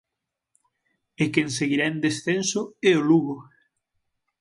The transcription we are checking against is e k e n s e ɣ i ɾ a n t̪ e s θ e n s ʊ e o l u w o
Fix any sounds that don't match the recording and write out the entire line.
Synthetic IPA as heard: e k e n s e ɣ i ɾ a n d̪ e s θ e n s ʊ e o l u ɣ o